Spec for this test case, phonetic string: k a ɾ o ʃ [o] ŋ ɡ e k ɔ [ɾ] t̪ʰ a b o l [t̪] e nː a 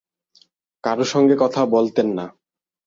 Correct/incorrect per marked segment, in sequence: incorrect, incorrect, correct

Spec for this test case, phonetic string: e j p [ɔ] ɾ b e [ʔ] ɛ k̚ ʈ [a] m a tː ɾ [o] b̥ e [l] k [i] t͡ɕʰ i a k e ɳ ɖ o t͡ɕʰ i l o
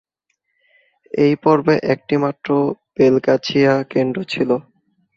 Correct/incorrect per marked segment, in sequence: correct, correct, incorrect, correct, correct, incorrect

